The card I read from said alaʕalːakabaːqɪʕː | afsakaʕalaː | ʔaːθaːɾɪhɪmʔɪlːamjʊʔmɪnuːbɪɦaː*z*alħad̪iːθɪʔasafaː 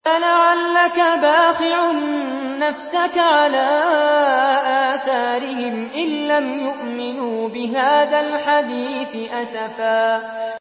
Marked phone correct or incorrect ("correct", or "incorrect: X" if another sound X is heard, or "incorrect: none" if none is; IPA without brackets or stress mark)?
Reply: incorrect: ð